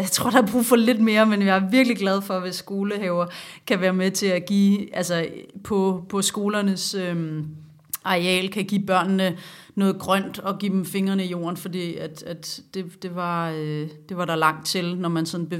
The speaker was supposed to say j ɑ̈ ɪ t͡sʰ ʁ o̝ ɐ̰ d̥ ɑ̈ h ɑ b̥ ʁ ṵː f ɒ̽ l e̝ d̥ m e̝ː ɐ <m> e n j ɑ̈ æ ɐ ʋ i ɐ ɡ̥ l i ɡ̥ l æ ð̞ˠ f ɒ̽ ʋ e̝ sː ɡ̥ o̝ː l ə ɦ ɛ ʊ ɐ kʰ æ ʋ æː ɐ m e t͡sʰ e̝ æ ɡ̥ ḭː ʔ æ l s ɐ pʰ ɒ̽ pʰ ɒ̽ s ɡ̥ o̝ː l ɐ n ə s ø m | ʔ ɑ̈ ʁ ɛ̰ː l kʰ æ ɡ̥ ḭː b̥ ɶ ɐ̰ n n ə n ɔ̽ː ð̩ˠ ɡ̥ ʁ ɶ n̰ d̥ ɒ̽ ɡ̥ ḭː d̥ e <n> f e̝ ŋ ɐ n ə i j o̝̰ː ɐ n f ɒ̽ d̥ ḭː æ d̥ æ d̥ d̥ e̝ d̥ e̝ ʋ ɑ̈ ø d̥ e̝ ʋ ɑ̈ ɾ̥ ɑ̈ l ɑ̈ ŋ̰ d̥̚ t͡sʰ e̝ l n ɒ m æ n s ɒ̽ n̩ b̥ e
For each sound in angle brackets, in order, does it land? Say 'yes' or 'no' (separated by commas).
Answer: yes, no